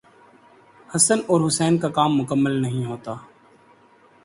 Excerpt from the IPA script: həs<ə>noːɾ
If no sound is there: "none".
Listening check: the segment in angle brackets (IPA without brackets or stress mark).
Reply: ə